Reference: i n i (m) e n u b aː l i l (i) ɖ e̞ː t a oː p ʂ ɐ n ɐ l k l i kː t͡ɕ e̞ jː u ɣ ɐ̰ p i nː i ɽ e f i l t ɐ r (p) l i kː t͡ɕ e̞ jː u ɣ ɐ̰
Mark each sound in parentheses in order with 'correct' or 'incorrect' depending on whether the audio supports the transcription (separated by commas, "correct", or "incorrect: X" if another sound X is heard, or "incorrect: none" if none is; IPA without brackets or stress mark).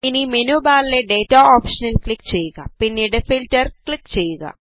correct, incorrect: e, incorrect: k